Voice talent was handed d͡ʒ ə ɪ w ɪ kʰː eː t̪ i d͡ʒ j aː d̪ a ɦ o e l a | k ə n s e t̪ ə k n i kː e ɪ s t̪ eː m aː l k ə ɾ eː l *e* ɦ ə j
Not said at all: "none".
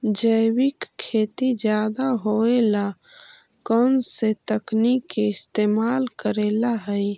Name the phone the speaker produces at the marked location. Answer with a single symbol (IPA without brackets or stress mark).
a